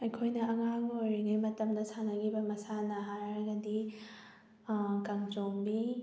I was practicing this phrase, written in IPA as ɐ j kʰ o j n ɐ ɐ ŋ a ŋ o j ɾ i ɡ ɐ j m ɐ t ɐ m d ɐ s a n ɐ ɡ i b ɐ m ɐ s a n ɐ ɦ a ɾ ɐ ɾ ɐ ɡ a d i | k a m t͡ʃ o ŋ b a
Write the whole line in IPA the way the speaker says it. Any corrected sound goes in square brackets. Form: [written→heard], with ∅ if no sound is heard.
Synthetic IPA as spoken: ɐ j kʰ o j n ɐ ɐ ŋ a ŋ o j ɾ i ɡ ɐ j m ɐ t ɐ m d ɐ s a n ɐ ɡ i b ɐ m ɐ s a n ɐ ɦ a ɾ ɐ ɾ ɐ ɡ [a→ɐ] d i | k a [m→ŋ] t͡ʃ o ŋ b [a→i]